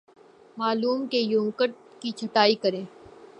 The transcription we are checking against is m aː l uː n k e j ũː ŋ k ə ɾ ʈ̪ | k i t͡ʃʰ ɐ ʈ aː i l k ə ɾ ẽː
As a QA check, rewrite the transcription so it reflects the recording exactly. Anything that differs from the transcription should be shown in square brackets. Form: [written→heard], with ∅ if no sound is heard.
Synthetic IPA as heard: m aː l uː [n→m] k e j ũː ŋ k ə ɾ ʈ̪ | k i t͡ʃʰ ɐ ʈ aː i [l→∅] k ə ɾ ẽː